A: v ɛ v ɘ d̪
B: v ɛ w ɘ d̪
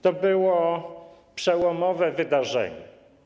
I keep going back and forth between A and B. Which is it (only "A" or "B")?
A